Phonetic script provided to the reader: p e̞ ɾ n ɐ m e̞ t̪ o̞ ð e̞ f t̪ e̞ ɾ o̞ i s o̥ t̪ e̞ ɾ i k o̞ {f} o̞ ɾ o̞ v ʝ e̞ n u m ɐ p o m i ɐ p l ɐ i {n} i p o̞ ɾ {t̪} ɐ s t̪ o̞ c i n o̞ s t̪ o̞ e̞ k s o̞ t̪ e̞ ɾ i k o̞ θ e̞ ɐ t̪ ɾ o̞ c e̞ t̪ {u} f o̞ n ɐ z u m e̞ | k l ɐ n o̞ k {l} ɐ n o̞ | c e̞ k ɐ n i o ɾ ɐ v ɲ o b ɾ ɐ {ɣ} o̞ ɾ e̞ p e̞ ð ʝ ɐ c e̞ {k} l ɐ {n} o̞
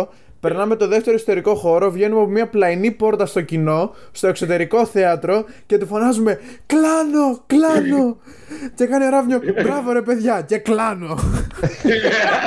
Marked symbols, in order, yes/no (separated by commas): no, yes, yes, yes, yes, no, yes, yes